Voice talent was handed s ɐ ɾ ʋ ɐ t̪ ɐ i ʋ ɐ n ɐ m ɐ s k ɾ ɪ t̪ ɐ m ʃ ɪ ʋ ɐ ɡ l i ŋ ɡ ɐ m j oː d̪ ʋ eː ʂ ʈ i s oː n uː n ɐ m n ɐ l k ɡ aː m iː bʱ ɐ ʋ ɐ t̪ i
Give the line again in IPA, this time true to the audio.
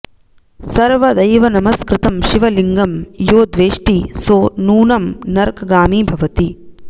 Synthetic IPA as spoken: s ɐ ɾ ʋ ɐ d̪ ɐ j ʋ ɐ n ɐ m ɐ s k ɾ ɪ t̪ ɐ m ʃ i ʋ ɐ l i ŋ ɡ ɐ m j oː d̪ ʋ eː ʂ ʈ i s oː n uː n ɐ m n ɐ ɾ k ɡ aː m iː bʱ ɐ ʋ ɐ t̪ i

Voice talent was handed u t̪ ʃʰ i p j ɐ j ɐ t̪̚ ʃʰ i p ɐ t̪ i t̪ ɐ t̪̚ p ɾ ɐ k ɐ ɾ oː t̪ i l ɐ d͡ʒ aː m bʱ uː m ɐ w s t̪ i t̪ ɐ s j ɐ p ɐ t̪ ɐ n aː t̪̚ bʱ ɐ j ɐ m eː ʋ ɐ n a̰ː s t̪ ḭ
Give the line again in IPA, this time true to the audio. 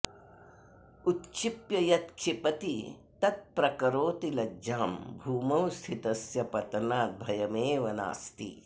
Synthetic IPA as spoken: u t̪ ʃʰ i p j ɐ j ɐ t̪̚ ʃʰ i p ɐ t̪ i t̪ ɐ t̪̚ p ɾ ɐ k ɐ ɾ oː t̪ i l ɐ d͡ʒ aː m bʱ uː m ɐ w s t̪ʰ i t̪ ɐ s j ɐ p ɐ t̪ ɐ n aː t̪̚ bʱ ɐ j ɐ m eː ʋ ɐ n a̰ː s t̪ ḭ

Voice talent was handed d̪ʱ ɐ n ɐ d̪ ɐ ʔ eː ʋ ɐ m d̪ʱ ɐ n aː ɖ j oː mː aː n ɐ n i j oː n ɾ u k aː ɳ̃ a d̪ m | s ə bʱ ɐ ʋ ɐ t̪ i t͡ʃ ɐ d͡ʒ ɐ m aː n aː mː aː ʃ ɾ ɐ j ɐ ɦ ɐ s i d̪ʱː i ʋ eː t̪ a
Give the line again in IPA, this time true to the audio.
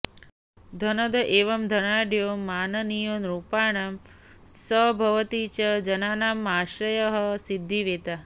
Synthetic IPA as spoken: d̪ʱ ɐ n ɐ d̪ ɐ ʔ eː ʋ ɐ m d̪ʱ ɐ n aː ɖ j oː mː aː n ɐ n i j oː n ɾ u p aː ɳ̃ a m | s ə bʱ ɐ ʋ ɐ t̪ i t͡ʃ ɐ d͡ʒ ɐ n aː n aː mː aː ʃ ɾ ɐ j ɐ ɦ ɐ s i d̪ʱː i ʋ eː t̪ a

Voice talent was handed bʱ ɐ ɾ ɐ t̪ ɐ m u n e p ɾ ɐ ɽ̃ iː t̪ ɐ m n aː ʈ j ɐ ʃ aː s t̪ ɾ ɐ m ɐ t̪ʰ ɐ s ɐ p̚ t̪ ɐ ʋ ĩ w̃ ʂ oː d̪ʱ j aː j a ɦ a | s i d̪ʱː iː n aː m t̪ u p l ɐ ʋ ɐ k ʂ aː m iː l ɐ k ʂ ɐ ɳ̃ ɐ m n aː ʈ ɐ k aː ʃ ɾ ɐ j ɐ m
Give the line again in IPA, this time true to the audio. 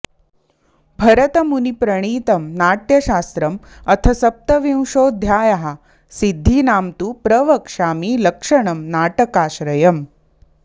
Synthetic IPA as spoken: bʱ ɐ ɾ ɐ t̪ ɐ m u n i p ɾ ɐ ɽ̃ iː t̪ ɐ m n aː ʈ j ɐ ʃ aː s t̪ ɾ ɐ m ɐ t̪ʰ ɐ s ɐ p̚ t̪ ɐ ʋ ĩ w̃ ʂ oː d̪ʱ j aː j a ɦ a | s i d̪ʱː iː n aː m t̪ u p ɾ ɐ ʋ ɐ k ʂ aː m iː l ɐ k ʂ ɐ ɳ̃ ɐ m n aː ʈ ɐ k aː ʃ ɾ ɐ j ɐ m

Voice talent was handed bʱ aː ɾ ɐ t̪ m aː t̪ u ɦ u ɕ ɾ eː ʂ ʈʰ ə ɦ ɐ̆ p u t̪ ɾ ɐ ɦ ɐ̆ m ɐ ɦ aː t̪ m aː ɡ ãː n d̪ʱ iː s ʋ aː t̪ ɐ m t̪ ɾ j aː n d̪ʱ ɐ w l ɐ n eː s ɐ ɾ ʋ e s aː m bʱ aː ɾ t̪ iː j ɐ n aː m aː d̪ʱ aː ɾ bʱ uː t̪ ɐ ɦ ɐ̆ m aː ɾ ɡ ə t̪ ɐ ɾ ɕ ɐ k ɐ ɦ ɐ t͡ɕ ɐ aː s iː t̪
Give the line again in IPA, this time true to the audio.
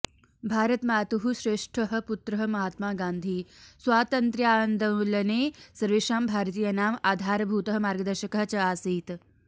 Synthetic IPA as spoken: bʱ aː ɾ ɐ t̪ m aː t̪ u ɦ u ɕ ɾ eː ʂ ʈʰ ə ɦ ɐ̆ p u t̪ ɾ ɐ ɦ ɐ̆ m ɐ ɦ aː t̪ m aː ɡ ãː n d̪ʱ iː s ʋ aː t̪ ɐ n t̪ ɾ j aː n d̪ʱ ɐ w l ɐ n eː s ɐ ɾ ʋ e ʂ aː m bʱ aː ɾ t̪ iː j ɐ n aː m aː d̪ʱ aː ɾ bʱ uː t̪ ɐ ɦ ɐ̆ m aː ɾ ɡ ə d̪ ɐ ɾ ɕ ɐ k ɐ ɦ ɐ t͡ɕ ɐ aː s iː t̪

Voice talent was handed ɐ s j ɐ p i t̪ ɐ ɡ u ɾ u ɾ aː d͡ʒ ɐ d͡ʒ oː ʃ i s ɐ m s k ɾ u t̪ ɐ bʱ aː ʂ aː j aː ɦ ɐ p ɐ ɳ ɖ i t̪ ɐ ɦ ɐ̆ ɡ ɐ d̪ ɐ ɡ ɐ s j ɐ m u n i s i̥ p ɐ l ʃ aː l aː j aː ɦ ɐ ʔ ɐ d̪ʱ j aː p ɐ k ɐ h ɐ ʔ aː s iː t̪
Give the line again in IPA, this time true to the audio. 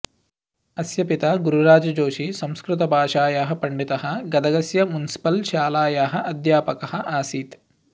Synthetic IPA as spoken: ɐ s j ɐ p i t̪ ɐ ɡ u ɾ u ɾ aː d͡ʒ ɐ d͡ʒ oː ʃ i s ɐ m s k ɾ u t̪ ɐ bʱ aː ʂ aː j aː ɦ ɐ p ɐ ɳ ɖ i t̪ ɐ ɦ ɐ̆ ɡ ɐ d̪ ɐ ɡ ɐ s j ɐ m u n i s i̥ p ɐ l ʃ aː l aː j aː ɦ ɐ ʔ ɐ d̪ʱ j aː p ɐ k ɐ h ɐ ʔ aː s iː t̪

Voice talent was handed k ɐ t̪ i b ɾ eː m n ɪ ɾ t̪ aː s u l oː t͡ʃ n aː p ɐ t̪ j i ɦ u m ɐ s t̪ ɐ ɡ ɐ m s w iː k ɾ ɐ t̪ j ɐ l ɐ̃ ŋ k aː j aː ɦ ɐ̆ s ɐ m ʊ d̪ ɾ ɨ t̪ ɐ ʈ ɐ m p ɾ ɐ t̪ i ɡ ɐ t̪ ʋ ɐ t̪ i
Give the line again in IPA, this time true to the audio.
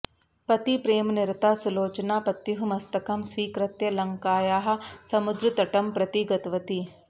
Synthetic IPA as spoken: p ɐ t̪ i p ɾ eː m n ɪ ɾ t̪ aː s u l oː t͡ʃ n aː p ɐ t̪ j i ɦ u m ɐ s t̪ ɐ k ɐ m s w iː k ɾ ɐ t̪ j ɐ l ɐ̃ ŋ k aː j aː ɦ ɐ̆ s ɐ m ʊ d̪ ɾ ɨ t̪ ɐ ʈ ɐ m p ɾ ɐ t̪ i ɡ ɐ t̪ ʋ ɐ t̪ i

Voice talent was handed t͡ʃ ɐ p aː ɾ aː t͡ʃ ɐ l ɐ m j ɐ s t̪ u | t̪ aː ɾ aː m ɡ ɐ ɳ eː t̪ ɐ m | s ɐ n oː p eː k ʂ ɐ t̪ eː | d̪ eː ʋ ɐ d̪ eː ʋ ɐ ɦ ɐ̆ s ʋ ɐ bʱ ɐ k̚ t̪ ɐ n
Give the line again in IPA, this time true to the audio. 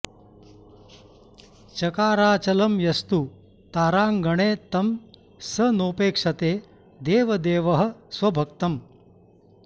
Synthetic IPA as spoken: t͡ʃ ɐ k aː ɾ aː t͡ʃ ɐ l ɐ m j ɐ s t̪ u | t̪ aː ɾ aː ŋ ɡ ɐ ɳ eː t̪ ɐ m | s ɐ n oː p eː k ʂ ɐ t̪ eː | d̪ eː ʋ ɐ d̪ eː ʋ ɐ ɦ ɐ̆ s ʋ ɐ bʱ ɐ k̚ t̪ ɐ m

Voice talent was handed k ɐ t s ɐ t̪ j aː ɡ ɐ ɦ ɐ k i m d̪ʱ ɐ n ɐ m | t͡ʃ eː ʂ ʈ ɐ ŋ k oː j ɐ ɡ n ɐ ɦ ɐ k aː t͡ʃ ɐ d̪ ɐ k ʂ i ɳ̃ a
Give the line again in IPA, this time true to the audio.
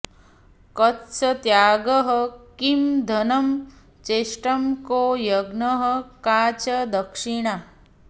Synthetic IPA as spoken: k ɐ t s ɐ t̪ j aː ɡ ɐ ɦ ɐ k i m d̪ʱ ɐ n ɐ m | t͡ʃ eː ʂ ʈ ɐ m k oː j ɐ ɡ n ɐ ɦ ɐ k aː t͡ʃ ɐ d̪ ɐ k ʂ i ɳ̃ a

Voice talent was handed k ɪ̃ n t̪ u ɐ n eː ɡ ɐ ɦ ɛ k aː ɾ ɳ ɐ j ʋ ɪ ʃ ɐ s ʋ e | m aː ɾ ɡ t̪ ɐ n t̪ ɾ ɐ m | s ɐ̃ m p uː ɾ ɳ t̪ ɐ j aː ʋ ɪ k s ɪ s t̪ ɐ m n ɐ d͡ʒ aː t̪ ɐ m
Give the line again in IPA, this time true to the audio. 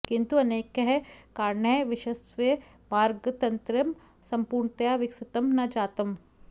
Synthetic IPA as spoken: k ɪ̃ n t̪ u ɐ n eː k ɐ ɦ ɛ k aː ɾ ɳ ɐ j ʋ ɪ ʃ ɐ s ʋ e | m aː ɾ ɡ t̪ ɐ n t̪ ɾ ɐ m | s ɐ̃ m p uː ɾ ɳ t̪ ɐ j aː ʋ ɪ k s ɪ t̪ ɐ m n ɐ d͡ʒ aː t̪ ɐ m

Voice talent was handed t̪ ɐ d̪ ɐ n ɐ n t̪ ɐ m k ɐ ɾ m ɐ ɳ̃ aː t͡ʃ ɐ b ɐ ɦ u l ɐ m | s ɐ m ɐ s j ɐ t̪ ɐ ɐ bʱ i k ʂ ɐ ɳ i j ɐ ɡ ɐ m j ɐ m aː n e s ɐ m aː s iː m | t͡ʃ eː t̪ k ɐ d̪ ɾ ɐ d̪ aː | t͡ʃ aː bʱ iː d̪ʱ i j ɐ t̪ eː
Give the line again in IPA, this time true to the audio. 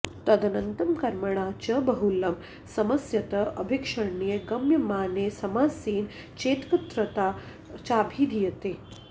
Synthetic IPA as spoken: t̪ ɐ d̪ ɐ n ɐ n t̪ ɐ m k ɐ ɾ m ɐ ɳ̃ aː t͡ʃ ɐ b ɐ ɦ u l ɐ m | s ɐ m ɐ s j ɐ t̪ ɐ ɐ bʱ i k ʂ ɐ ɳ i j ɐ ɡ ɐ m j ɐ m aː n e s ɐ m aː s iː n | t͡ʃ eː t̪ k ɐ t̪ ɾ ɐ t̪ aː | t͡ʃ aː bʱ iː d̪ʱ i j ɐ t̪ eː

